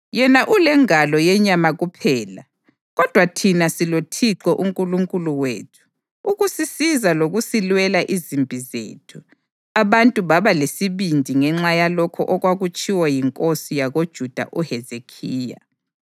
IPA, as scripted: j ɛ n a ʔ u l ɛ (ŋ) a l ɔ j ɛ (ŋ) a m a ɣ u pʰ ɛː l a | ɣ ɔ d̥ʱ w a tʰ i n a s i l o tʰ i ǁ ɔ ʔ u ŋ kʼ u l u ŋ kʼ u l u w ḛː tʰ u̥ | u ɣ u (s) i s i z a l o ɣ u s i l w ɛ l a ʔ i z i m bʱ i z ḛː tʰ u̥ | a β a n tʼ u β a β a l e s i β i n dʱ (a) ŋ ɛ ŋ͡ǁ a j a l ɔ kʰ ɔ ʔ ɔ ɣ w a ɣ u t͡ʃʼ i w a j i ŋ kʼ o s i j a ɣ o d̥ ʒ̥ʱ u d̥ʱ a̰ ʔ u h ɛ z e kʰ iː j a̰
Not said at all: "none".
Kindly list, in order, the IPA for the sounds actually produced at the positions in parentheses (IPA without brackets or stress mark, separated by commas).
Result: ŋ, ɲ, s, i